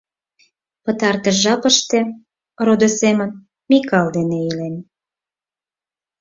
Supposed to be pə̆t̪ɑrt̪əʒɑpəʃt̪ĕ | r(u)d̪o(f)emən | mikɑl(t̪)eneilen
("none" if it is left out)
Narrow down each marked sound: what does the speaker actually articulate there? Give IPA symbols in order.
o, s, d̪

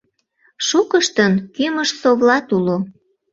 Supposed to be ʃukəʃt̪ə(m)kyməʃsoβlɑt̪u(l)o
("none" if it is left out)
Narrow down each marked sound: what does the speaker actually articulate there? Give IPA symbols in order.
n, l

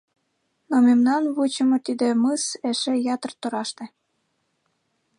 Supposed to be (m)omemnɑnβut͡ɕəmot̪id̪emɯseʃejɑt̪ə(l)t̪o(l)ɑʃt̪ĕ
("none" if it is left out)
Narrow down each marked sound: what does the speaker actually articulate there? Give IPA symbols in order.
n, r, ɾ

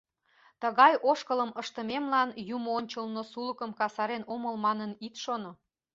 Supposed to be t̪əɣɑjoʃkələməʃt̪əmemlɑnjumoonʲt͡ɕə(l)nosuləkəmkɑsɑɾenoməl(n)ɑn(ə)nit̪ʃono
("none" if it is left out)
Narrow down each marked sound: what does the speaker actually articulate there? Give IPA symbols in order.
l, m, ə

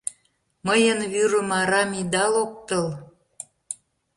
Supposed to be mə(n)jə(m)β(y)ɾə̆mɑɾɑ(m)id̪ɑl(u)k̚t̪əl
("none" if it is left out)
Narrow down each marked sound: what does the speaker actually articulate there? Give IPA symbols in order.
none, n, y, m, o

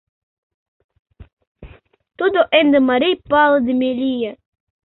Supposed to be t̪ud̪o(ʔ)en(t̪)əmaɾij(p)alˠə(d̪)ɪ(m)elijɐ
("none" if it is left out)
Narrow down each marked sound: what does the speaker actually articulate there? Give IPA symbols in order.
ʔ, d̪, p, d̪, m

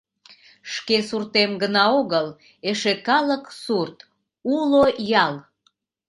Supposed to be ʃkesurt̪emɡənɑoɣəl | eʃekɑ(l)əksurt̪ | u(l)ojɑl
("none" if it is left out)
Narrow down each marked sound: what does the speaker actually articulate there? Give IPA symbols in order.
l, l

